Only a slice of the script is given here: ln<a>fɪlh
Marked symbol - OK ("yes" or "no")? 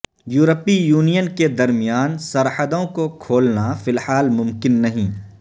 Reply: yes